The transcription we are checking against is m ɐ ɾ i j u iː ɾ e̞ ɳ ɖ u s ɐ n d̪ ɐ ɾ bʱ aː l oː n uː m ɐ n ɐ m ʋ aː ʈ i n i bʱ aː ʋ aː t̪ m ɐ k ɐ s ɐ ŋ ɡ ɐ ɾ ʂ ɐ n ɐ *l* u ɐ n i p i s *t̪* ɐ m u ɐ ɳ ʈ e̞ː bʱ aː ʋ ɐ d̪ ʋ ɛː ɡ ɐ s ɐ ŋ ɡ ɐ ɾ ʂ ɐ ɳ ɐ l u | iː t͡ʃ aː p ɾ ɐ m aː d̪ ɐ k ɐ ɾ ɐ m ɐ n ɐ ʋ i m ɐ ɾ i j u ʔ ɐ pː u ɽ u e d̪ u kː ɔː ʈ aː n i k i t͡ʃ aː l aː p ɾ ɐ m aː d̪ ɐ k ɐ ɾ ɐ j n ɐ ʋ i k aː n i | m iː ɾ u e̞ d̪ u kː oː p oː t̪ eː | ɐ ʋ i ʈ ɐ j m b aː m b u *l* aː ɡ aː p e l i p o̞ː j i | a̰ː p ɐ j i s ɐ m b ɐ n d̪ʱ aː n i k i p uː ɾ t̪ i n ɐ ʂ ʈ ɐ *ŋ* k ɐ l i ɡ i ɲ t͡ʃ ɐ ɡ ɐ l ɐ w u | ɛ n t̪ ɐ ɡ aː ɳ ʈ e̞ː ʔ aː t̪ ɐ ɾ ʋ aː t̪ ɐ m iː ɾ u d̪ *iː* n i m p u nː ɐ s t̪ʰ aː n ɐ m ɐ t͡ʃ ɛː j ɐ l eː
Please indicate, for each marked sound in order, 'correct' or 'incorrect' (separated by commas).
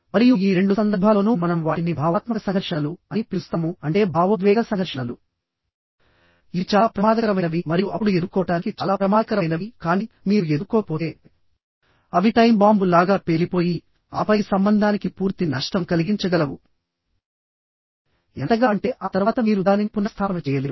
correct, correct, correct, incorrect, incorrect